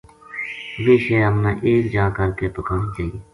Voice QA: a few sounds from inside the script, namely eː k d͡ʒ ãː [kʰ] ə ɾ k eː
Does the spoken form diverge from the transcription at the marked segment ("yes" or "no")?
yes